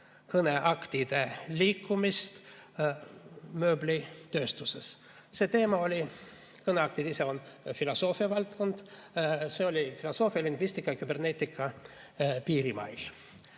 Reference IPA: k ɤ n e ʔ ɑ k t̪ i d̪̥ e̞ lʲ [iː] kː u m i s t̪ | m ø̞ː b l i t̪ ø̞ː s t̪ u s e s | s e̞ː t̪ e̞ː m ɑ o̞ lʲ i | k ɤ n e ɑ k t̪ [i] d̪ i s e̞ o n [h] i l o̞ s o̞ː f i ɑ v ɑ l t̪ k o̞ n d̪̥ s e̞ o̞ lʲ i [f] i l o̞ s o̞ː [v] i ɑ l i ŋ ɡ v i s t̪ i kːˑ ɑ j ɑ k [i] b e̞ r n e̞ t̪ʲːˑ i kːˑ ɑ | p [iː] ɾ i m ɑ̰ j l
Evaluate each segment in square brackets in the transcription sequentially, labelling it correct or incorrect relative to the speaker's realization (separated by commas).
correct, correct, incorrect, correct, incorrect, incorrect, correct